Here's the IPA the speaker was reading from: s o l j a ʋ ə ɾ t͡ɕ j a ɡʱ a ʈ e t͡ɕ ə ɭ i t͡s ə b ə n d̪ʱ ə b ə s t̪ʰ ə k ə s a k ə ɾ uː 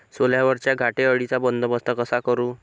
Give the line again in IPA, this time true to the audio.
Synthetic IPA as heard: s o l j a ʋ ə ɾ t͡ɕ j a ɡʱ a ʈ e ə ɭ i t͡s a b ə n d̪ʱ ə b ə s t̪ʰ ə k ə s a k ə ɾ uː